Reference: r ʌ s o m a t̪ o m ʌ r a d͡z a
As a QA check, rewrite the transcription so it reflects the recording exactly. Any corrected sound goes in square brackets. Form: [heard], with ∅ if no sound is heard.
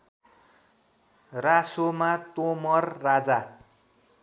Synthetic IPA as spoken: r [a] s o m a t̪ o m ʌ [rː] a d͡z a